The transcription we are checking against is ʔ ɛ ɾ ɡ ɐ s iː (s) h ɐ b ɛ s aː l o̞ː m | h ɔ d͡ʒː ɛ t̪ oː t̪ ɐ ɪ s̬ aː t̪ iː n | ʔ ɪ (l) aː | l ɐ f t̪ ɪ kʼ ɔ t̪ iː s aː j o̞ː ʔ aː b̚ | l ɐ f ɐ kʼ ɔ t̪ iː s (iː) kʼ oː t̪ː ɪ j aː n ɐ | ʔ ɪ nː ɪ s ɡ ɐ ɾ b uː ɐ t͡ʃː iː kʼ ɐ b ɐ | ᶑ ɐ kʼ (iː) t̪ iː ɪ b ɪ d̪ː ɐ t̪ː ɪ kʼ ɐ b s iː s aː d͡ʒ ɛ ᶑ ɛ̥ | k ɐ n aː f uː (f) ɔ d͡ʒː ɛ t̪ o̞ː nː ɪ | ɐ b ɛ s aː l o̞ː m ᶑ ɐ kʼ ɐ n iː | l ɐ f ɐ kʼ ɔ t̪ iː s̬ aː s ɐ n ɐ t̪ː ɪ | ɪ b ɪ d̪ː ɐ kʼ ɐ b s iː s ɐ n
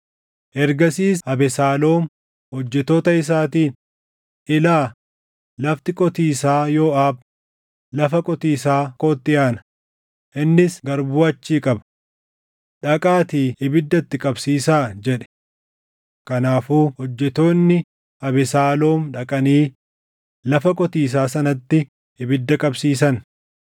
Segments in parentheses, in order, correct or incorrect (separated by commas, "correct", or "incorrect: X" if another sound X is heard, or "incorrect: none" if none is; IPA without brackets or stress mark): correct, correct, incorrect: aː, incorrect: aː, incorrect: h